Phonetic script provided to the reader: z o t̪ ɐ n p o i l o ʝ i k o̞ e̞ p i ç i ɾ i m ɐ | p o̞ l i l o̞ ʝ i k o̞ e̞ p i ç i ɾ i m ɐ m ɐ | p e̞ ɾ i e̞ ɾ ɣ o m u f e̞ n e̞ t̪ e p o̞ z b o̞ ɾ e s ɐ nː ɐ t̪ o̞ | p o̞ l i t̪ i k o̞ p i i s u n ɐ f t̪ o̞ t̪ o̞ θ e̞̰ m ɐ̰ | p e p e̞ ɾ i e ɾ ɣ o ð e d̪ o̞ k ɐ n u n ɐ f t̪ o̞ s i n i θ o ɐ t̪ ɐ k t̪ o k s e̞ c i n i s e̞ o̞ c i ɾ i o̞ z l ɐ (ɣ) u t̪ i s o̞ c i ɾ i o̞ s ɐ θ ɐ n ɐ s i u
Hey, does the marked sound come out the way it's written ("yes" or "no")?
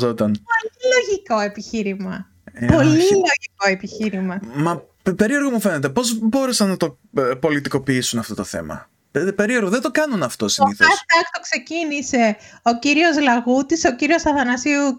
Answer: yes